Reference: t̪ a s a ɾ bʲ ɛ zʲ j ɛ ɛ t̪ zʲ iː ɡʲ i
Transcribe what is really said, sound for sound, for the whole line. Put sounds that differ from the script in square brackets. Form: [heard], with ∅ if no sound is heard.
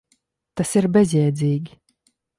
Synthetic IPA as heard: t̪ a s [i] ɾ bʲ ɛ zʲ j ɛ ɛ [d̪] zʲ iː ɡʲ i